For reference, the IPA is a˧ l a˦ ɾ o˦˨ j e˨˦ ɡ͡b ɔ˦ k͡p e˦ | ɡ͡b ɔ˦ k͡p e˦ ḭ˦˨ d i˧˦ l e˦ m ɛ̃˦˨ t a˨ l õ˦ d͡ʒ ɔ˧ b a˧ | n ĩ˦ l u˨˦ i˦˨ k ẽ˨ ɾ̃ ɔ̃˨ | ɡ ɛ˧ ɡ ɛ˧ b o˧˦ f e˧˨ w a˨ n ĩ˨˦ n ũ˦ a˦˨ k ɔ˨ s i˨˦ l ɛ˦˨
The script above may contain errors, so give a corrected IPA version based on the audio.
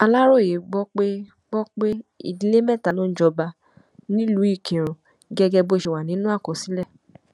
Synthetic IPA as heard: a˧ l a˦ ɾ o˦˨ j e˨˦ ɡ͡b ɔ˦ k͡p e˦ | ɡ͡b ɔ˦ k͡p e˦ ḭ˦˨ d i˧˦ l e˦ m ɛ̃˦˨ t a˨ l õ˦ d͡ʒ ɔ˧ b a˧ | n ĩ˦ l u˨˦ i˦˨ k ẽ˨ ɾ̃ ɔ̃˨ | ɡ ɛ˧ ɡ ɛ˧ b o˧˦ ʃ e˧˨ w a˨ n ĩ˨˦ n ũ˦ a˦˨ k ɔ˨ s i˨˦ l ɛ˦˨